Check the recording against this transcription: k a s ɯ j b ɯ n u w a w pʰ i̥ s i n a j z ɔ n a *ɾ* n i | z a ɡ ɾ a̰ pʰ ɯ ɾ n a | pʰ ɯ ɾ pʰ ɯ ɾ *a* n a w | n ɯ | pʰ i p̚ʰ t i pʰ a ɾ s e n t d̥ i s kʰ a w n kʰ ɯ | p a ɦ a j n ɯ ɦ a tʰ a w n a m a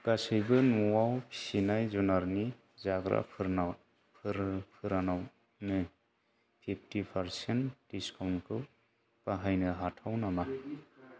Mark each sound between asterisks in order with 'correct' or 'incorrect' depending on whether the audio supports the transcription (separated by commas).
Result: correct, correct